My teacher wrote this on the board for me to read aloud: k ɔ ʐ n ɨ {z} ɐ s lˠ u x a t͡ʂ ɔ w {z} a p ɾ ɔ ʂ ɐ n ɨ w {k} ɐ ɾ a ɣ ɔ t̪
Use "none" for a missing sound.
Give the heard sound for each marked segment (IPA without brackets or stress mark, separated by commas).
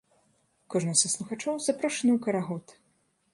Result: s, z, k